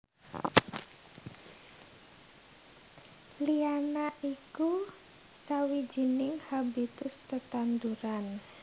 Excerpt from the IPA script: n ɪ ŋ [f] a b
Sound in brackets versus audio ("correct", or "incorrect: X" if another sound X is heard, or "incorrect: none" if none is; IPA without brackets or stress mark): incorrect: h